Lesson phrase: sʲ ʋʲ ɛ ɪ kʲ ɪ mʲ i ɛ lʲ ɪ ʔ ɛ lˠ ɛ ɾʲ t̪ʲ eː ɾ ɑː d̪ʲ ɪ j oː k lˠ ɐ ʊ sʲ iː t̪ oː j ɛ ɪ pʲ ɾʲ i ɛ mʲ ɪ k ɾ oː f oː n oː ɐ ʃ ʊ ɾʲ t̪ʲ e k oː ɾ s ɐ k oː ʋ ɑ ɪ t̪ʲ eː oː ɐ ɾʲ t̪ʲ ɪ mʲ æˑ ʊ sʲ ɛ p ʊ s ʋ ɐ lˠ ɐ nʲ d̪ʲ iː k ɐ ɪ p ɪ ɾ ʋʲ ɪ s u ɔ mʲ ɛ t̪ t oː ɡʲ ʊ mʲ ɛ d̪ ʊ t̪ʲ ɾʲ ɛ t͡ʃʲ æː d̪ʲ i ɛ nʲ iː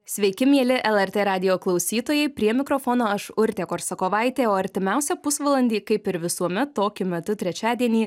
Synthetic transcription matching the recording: sʲ ʋʲ ɛ ɪ kʲ ɪ mʲ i ɛ lʲ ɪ ʔ ɛ lˠ ɛ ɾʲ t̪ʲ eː ɾ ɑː d̪ʲ ɪ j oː k lˠ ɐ ʊ sʲ iː t̪ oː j ɛ ɪ pʲ ɾʲ i ɛ mʲ ɪ k ɾ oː f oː n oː ɐ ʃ ʊ ɾʲ t̪ʲ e k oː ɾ s ɐ k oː ʋ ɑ ɪ t̪ʲ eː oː ɐ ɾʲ t̪ʲ ɪ mʲ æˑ ʊ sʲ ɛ p ʊ s ʋ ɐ lˠ ɐ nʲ d̪ʲ iː k ɐ ɪ p ɪ ɾ ʋʲ ɪ s u ɔ mʲ ɛ t̪ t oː kʲ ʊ mʲ ɛ t̪ ʊ t̪ʲ ɾʲ ɛ t͡ʃʲ æː d̪ʲ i ɛ nʲ iː